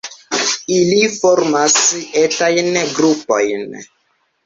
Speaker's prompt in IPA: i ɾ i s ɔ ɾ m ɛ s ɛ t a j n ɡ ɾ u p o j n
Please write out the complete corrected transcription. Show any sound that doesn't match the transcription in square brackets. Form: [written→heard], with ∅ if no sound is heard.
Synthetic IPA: i [ɾ→l] i [s→f] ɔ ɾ m [ɛ→a] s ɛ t a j n ɡ ɾ u p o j n